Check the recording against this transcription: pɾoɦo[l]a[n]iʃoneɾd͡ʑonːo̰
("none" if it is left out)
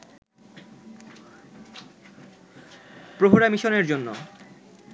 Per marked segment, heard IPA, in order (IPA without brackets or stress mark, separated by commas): ɾ, m